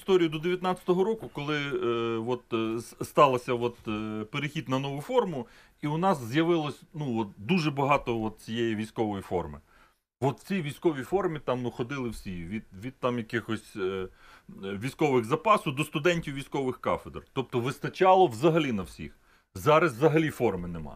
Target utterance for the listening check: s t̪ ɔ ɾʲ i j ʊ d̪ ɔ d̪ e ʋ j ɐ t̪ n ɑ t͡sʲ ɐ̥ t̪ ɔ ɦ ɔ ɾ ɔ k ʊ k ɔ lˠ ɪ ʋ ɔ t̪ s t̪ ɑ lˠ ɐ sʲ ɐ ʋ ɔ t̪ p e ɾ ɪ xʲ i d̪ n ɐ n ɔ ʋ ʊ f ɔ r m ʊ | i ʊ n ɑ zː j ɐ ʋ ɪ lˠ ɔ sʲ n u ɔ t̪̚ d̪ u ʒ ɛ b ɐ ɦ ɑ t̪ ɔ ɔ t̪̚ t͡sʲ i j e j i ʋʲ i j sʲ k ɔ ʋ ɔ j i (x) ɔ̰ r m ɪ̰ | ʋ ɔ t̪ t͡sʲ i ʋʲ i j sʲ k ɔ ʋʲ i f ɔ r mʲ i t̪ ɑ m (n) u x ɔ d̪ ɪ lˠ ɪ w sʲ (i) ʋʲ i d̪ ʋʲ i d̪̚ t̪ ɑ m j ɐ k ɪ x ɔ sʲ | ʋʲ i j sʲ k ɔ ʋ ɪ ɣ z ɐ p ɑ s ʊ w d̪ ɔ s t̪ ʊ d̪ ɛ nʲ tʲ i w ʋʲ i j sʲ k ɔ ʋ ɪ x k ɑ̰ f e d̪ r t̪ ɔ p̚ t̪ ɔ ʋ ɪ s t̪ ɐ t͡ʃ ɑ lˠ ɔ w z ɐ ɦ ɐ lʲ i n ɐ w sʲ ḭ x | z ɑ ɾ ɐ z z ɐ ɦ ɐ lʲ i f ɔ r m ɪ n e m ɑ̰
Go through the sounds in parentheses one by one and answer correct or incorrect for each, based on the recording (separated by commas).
incorrect, correct, correct